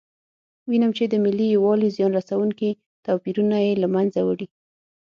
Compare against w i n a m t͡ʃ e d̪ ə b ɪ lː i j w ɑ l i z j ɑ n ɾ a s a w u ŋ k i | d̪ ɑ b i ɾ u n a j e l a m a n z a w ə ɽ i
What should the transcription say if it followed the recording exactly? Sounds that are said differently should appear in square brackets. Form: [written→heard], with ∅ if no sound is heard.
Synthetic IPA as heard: w i n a m t͡ʃ e d̪ ə [b→m] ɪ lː i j w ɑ l i z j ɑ n ɾ a s a w u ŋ k i | [d̪→t̪] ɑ [b→p] i ɾ u n a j e l a m a n z a w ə ɽ i